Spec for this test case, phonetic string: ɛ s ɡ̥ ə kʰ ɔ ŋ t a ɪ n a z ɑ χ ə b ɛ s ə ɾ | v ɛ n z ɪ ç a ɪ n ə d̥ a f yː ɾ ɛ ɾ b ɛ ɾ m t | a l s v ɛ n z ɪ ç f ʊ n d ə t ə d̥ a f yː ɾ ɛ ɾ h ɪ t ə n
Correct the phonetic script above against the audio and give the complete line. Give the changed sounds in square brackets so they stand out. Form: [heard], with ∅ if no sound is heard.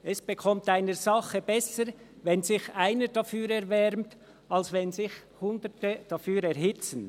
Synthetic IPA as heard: ɛ s [b̥] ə kʰ ɔ [m] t a ɪ n [ə] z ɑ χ ə b ɛ s ə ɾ | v ɛ n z ɪ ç a ɪ n ə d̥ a f yː ɾ ɛ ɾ [v] ɛ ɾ m t | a l s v ɛ n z ɪ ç [h] ʊ n d ə t ə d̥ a f yː ɾ ɛ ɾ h ɪ [t͡s] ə n